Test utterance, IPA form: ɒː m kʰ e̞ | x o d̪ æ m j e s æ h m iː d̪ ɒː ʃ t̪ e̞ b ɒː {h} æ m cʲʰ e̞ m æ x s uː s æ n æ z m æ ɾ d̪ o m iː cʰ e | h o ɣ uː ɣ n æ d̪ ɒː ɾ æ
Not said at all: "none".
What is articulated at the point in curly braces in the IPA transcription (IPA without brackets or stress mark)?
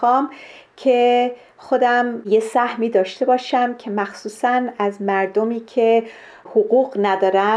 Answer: ʃ